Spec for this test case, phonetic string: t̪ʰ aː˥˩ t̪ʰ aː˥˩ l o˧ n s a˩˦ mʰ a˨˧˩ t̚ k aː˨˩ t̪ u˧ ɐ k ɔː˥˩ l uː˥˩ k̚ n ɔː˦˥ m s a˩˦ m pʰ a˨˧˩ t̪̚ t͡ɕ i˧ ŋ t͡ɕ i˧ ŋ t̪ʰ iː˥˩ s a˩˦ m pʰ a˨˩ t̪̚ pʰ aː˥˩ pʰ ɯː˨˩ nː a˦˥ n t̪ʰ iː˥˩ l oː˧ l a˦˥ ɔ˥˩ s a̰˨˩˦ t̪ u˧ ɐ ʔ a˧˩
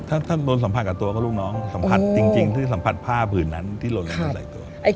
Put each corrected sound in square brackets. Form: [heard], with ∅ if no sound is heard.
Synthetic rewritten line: t̪ʰ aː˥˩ t̪ʰ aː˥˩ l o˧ n s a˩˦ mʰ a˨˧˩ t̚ k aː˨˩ t̪ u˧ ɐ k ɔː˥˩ l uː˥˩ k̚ n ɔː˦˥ [ŋ] s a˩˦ m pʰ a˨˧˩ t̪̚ t͡ɕ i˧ ŋ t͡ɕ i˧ ŋ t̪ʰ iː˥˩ s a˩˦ m pʰ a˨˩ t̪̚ pʰ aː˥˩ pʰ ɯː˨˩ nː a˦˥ n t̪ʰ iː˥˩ l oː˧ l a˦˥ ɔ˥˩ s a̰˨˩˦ t̪ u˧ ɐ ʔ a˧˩